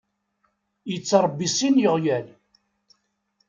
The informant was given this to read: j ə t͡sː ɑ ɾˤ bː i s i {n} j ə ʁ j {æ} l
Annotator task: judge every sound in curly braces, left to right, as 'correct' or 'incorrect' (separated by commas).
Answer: correct, correct